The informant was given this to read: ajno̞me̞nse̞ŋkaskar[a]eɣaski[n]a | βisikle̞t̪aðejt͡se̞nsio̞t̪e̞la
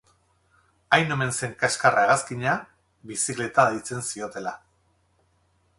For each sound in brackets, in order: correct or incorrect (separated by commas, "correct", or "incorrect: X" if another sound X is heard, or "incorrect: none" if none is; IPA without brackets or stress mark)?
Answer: correct, incorrect: ɲ